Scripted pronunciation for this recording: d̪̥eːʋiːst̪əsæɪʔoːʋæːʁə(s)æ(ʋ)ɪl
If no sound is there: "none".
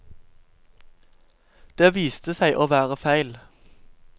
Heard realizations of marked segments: f, none

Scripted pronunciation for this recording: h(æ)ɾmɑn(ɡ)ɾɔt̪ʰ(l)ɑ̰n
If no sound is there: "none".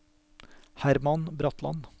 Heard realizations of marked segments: æ, b, l

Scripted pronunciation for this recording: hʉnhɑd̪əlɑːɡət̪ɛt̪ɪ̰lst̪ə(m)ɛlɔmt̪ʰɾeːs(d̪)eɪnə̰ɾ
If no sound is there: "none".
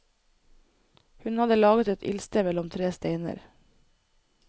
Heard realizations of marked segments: m, t̪

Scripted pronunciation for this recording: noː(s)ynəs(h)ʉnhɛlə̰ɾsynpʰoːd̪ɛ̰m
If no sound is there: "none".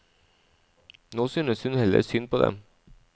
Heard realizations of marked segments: s, h

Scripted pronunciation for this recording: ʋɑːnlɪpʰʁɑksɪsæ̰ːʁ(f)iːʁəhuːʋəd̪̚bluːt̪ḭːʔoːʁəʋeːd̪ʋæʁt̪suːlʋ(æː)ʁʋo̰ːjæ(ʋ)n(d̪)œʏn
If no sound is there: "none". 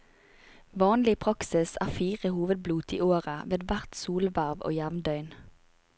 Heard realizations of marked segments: f, æ, ʋ, d̪

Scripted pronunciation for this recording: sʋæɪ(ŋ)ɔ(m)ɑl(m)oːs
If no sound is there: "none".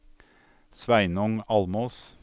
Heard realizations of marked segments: n, ŋ, m

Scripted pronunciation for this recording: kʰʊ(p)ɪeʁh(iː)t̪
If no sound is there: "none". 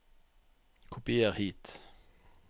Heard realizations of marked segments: p, iː

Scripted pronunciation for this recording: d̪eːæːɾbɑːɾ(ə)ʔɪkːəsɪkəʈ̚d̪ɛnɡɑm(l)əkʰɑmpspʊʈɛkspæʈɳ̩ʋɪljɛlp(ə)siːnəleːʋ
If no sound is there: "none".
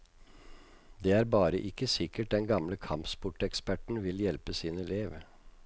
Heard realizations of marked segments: ə, l, ə

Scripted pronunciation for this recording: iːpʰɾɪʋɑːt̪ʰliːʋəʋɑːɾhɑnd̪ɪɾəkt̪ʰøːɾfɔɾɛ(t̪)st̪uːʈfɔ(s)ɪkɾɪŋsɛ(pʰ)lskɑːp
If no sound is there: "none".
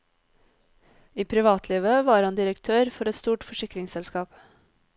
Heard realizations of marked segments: t̪, ʃ, none

